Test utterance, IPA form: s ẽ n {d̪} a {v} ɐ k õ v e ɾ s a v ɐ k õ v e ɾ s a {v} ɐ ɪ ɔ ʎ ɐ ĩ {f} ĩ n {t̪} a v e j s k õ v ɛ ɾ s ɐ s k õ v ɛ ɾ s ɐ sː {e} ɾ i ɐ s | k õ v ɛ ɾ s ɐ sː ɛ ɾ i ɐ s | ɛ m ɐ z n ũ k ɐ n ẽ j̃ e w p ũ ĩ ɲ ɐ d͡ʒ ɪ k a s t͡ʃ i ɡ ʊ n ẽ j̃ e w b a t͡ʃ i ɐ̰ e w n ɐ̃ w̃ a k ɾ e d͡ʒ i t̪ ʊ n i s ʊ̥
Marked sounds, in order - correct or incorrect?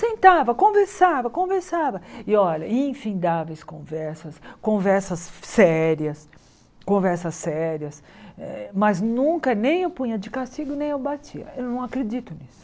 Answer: incorrect: t̪, correct, correct, correct, incorrect: d̪, incorrect: ɛ

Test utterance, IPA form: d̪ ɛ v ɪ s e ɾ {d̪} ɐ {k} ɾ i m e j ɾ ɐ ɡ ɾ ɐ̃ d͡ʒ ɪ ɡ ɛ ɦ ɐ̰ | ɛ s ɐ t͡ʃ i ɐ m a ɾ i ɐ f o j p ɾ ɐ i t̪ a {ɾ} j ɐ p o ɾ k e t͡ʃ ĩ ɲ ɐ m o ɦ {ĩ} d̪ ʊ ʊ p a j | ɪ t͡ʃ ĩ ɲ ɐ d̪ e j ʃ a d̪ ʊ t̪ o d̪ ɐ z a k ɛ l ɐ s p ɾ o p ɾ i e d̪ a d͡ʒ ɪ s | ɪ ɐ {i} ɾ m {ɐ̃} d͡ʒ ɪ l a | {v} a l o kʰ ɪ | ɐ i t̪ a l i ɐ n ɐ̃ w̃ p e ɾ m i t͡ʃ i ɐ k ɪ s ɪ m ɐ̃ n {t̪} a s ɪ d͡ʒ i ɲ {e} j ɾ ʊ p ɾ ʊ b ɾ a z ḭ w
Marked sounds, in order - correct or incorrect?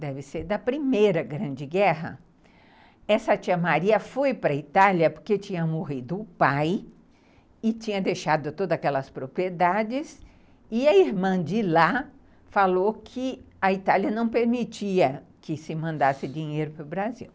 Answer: correct, incorrect: p, incorrect: l, incorrect: i, correct, correct, incorrect: f, incorrect: d̪, correct

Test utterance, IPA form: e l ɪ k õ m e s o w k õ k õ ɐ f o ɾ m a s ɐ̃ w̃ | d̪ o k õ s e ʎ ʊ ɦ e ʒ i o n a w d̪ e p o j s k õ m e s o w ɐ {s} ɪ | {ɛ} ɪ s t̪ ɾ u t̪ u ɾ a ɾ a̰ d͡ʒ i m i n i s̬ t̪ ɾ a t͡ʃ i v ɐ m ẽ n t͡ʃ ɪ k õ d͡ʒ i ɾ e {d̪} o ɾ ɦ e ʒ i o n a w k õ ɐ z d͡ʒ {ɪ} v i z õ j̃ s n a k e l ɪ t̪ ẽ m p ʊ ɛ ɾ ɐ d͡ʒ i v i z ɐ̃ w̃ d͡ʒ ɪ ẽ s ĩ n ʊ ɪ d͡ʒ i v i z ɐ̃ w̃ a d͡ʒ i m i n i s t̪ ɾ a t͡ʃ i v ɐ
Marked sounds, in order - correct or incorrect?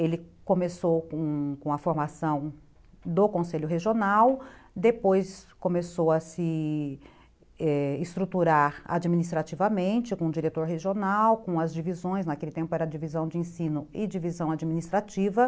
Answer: correct, correct, incorrect: t̪, incorrect: i

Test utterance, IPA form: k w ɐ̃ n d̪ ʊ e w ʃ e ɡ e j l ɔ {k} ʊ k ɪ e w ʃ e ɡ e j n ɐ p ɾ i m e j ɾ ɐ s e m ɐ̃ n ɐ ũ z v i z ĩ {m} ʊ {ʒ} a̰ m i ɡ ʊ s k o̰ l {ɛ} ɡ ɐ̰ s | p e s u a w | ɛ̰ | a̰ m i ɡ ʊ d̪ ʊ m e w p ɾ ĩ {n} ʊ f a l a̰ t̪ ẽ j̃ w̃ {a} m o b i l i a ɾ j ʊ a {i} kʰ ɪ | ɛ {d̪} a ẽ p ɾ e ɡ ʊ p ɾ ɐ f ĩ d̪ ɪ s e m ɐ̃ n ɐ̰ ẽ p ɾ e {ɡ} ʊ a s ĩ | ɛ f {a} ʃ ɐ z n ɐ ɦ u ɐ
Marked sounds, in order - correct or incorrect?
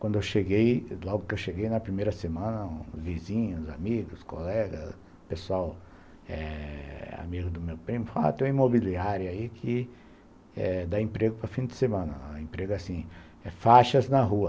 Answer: incorrect: ɡ, incorrect: ɲ, incorrect: z, correct, incorrect: m, incorrect: i, correct, correct, correct, correct

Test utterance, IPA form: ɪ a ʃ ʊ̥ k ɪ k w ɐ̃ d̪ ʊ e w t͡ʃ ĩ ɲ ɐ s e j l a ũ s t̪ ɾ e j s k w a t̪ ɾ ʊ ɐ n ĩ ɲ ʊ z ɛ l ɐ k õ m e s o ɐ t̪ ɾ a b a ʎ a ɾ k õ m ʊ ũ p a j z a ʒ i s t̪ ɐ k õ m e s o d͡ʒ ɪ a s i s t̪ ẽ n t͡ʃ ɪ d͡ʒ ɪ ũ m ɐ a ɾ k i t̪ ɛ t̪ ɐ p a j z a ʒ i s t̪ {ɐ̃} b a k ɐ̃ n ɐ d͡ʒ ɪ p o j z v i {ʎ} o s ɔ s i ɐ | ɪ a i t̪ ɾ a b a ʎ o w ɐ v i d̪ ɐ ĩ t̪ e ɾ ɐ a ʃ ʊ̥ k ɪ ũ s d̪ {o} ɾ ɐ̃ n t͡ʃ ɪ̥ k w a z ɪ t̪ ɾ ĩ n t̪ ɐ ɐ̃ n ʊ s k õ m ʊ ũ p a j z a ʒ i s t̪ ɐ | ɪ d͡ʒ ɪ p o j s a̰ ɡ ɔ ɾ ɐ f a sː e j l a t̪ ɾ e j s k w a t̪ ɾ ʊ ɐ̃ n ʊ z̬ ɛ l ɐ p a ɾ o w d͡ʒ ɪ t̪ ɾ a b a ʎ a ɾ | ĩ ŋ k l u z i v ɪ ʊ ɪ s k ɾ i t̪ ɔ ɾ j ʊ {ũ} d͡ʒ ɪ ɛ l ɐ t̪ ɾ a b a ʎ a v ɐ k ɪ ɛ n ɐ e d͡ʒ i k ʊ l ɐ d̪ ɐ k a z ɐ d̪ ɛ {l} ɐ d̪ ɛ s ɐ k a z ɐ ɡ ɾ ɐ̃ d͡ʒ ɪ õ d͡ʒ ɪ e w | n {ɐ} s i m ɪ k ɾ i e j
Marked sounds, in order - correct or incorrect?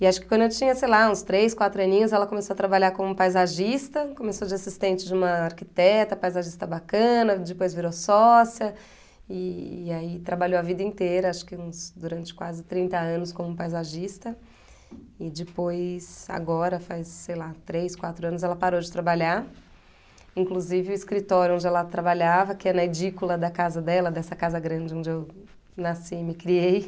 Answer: incorrect: ɐ, incorrect: ɾ, incorrect: u, incorrect: õ, correct, incorrect: a

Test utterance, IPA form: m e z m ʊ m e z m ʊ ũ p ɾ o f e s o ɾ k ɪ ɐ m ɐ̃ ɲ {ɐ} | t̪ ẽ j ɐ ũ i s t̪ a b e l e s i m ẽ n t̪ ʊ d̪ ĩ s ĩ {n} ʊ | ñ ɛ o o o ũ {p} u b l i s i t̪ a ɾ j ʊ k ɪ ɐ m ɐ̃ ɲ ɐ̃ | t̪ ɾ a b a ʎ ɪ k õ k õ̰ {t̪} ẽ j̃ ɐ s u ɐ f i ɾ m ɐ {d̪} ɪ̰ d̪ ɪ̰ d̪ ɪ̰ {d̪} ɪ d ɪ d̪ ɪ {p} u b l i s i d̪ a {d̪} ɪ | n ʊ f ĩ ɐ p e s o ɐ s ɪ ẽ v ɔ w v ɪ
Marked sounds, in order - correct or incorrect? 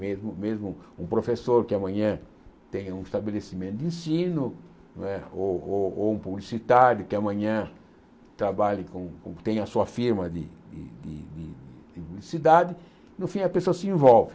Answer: incorrect: ɐ̃, correct, correct, correct, correct, correct, correct, correct

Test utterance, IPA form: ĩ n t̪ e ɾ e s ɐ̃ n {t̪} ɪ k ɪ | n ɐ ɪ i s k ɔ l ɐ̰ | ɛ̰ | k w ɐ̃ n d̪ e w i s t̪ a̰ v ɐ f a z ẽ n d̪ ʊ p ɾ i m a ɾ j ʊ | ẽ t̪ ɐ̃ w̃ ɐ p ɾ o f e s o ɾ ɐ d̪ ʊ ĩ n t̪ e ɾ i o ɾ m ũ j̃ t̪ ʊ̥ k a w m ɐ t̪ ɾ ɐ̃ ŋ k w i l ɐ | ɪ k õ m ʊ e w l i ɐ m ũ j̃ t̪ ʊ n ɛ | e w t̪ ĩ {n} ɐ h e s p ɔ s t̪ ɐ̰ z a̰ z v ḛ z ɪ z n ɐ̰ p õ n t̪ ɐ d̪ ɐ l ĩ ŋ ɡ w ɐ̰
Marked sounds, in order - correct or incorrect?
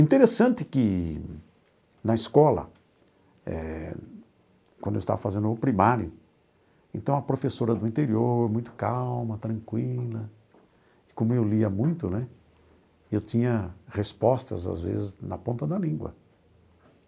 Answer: correct, incorrect: ɲ

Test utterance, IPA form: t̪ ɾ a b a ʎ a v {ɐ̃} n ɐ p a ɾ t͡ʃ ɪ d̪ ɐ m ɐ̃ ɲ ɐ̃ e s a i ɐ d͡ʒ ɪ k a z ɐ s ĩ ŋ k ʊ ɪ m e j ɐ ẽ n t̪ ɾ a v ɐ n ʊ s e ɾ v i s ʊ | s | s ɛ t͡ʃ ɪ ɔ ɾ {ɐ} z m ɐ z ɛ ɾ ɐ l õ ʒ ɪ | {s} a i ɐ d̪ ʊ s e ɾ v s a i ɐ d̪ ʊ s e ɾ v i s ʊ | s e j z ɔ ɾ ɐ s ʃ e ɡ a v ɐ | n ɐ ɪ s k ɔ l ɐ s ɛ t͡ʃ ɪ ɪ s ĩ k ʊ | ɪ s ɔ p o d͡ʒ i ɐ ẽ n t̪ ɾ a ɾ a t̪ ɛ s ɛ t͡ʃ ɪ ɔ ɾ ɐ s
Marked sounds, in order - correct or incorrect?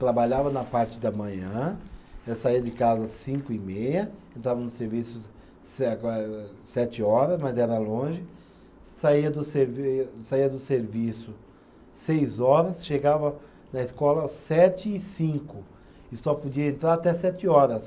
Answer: incorrect: ɐ, correct, correct

